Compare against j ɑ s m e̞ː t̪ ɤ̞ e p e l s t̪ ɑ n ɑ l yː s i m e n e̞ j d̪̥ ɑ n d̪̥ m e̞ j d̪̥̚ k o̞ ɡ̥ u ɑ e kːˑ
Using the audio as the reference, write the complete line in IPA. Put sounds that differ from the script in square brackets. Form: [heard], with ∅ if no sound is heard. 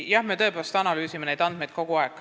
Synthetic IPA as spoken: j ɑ [h] m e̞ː t̪ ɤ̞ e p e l s t̪ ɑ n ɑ l yː s i m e n e̞ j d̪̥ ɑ n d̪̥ m e̞ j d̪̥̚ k o̞ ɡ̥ u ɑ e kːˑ